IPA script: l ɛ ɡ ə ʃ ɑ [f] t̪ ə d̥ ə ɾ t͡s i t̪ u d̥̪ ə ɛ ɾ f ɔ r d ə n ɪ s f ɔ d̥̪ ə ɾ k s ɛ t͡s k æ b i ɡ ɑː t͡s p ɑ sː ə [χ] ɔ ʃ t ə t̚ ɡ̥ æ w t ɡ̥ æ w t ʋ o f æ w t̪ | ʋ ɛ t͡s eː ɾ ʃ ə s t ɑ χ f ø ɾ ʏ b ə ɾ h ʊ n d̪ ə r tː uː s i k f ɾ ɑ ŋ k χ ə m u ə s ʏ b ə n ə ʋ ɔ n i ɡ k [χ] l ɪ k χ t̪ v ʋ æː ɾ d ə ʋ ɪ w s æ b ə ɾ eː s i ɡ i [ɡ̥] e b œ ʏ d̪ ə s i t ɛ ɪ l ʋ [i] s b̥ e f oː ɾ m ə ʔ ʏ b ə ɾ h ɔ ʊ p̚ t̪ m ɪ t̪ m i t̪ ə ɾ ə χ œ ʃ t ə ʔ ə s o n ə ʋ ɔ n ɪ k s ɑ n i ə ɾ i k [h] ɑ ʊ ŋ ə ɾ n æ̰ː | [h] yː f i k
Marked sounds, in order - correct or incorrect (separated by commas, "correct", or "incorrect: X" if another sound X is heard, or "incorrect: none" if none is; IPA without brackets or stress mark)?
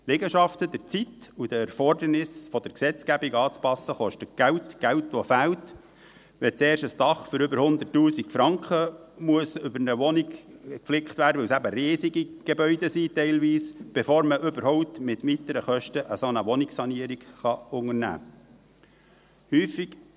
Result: correct, correct, incorrect: f, correct, incorrect: iː, incorrect: χ, correct